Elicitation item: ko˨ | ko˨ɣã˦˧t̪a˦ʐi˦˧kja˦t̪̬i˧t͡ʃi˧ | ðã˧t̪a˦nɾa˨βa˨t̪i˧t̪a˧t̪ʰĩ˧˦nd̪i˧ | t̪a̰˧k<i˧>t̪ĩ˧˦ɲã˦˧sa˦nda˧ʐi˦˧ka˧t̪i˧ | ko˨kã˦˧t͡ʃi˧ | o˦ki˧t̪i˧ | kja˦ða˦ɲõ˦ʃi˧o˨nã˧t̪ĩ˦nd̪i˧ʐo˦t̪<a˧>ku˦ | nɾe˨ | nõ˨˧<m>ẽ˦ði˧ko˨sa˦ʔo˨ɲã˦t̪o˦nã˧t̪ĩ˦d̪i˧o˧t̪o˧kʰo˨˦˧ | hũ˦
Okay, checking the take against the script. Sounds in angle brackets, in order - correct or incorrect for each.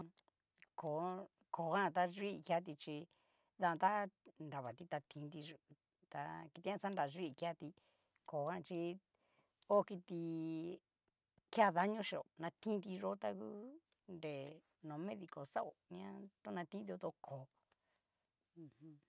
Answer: correct, correct, correct

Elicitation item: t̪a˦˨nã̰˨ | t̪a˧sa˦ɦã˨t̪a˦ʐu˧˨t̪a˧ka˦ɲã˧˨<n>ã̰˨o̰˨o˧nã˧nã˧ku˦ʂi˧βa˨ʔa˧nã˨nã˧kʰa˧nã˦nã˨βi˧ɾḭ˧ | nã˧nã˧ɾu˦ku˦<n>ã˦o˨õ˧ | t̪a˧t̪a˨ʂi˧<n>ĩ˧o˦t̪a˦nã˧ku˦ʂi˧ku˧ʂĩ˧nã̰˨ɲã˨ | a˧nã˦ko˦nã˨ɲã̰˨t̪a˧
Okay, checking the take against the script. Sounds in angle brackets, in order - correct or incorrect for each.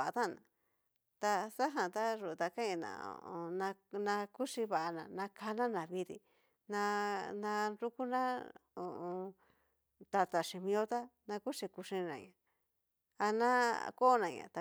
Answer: correct, correct, incorrect: m

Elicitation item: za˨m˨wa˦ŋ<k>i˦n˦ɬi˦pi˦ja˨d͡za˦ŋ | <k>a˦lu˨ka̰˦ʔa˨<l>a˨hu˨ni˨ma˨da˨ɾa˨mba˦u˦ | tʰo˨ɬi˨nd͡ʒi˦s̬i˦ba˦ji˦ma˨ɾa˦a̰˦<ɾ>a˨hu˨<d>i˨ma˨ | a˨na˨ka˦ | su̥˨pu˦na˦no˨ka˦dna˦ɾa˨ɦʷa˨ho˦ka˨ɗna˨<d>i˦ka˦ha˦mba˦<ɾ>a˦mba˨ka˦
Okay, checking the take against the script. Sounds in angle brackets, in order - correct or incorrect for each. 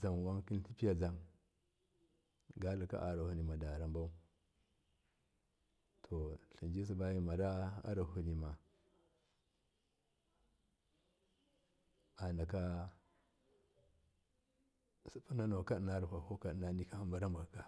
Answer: correct, incorrect: ɡ, incorrect: ɾ, correct, incorrect: n, incorrect: n, correct

